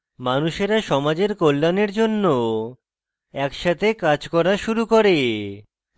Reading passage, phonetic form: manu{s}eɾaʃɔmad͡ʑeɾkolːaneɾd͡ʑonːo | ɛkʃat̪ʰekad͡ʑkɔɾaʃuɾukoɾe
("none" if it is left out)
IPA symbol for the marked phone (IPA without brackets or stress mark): ʃ